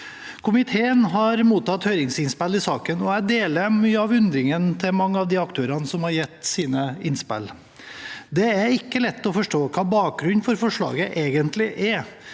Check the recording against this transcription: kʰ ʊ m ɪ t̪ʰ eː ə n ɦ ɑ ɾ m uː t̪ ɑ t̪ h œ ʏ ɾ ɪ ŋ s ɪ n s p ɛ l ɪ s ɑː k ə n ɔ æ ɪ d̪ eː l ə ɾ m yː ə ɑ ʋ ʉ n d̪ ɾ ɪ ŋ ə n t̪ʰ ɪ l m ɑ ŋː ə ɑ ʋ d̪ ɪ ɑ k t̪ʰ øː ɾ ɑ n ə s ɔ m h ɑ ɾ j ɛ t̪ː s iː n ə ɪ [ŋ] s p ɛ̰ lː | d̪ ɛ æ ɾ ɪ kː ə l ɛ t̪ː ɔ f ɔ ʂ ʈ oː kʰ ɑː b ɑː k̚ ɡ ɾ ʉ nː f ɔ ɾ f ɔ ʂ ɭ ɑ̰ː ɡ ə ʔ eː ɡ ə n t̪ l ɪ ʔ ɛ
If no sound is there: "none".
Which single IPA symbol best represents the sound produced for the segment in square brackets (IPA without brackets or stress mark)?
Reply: n